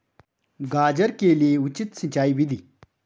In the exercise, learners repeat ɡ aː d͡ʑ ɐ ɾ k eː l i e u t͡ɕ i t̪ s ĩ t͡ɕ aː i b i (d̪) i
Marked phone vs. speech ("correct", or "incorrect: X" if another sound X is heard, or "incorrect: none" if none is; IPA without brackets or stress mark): correct